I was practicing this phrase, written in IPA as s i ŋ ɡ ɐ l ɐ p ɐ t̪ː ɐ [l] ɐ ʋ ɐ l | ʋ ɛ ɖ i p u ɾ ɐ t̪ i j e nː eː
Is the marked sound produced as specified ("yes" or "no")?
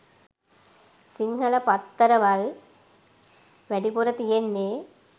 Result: no